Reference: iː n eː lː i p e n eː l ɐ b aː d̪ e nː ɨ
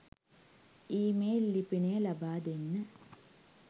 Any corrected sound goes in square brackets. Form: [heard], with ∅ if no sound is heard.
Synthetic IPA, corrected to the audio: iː [m] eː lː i p [i] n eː l ɐ b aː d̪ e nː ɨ